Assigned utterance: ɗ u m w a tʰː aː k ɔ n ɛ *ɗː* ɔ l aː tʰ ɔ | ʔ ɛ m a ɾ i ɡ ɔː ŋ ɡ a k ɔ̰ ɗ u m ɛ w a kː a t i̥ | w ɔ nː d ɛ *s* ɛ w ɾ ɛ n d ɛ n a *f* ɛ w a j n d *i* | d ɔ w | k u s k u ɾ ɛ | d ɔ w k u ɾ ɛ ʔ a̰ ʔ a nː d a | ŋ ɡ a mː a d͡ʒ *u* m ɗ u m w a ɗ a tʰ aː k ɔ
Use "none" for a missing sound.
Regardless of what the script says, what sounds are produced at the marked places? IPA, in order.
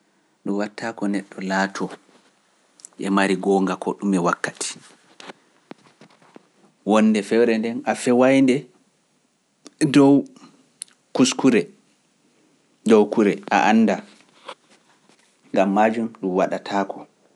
ɗː, f, f, ɛ, u

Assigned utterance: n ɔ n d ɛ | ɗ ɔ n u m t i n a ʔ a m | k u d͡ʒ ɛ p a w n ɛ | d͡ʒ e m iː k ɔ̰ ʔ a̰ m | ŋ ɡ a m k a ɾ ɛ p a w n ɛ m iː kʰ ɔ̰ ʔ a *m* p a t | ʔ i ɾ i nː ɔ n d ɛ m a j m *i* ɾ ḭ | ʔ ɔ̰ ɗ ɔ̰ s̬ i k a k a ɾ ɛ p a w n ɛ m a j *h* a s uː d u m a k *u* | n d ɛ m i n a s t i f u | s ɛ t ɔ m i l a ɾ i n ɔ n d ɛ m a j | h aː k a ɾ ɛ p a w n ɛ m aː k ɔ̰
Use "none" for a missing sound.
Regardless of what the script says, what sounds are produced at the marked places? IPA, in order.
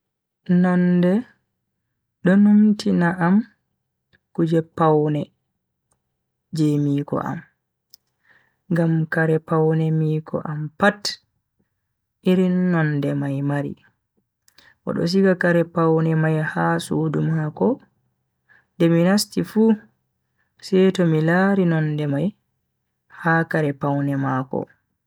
m, a, h, ɔ

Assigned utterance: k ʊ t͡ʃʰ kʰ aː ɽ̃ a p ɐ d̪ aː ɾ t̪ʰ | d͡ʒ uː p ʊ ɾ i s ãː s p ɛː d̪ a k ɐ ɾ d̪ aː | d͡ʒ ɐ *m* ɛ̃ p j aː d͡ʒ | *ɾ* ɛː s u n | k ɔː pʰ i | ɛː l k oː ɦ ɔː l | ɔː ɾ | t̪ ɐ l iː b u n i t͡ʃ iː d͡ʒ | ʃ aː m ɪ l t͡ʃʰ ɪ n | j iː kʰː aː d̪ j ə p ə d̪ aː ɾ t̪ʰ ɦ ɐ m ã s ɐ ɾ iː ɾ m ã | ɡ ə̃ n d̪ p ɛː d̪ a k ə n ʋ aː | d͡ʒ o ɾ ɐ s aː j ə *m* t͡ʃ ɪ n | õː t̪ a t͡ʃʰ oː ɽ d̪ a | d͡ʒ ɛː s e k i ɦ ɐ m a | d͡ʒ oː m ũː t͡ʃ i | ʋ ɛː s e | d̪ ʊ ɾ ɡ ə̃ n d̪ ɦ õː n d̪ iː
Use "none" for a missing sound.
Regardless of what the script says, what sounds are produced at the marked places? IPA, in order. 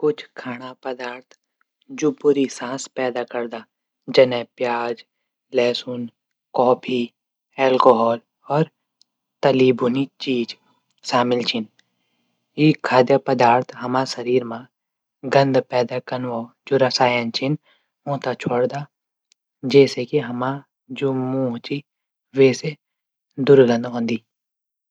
n, l, n

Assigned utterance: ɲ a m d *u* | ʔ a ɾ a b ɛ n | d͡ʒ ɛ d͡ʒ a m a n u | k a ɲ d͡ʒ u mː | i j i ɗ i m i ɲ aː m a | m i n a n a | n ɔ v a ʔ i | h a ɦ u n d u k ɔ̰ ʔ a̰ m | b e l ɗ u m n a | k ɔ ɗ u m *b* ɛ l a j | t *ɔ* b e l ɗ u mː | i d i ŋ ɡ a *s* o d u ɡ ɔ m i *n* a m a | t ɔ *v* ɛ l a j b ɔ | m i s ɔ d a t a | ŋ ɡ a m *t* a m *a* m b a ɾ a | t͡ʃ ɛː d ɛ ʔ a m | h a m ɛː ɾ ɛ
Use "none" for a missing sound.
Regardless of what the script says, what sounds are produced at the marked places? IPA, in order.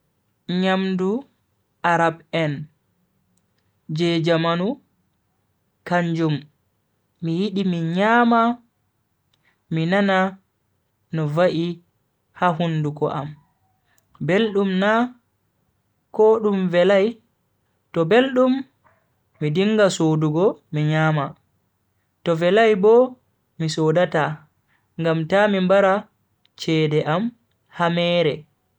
u, v, ɔ, s, ɲ, v, t, i

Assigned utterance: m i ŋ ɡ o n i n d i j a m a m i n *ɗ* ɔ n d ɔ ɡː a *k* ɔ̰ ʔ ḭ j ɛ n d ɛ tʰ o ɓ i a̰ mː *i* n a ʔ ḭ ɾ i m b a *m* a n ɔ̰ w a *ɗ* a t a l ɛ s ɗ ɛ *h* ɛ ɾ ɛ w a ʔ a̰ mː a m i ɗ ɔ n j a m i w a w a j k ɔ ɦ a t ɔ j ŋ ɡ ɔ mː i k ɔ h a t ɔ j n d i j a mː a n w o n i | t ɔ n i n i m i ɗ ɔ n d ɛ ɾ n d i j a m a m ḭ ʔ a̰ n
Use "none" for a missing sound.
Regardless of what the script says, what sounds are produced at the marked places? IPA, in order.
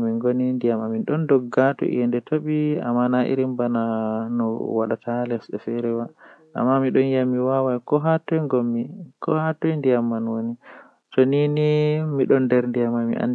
ɗ, t, a, n, ɗ, f

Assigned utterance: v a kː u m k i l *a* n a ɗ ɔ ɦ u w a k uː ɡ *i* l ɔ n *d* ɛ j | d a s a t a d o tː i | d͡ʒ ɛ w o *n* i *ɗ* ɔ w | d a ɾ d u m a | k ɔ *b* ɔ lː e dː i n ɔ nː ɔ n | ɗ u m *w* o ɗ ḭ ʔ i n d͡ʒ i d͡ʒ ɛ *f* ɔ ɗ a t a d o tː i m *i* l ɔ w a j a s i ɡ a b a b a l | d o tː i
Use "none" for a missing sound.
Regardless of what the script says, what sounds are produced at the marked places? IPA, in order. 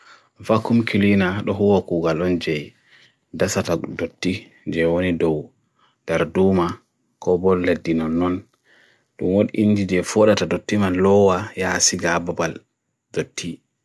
i, a, d͡ʒ, n, d, b, w, f, a

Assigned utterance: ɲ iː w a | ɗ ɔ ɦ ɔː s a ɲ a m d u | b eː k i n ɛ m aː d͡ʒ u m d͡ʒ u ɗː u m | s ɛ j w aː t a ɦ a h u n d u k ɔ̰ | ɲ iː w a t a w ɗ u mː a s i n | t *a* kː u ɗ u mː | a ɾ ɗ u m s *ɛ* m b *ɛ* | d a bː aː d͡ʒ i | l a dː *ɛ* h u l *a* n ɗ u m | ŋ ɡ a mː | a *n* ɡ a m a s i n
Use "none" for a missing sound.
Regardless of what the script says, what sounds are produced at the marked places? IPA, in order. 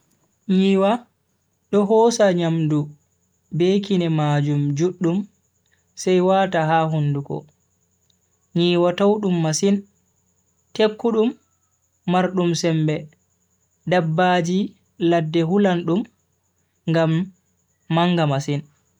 e, ɛ, ɛ, ɛ, a, ŋ

